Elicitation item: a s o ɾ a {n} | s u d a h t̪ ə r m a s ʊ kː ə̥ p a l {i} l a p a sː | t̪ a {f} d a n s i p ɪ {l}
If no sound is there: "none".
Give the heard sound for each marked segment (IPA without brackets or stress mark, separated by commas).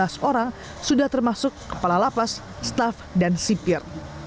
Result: ŋ, a, f, r